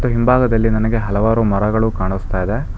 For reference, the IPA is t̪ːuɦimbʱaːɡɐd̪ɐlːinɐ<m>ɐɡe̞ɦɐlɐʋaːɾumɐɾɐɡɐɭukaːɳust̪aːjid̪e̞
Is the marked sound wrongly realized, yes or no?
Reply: yes